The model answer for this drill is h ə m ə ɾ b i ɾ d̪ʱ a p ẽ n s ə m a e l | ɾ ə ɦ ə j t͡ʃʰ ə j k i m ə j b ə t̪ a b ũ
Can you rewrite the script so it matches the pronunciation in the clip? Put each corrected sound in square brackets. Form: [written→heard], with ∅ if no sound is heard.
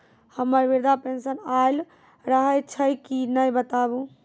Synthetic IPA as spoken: h ə m ə ɾ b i ɾ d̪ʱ a p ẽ n s ə [m→n] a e l | ɾ ə ɦ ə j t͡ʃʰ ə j k i [m→n] ə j b ə t̪ a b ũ